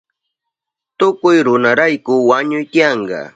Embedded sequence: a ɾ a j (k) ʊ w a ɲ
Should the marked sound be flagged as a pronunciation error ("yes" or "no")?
no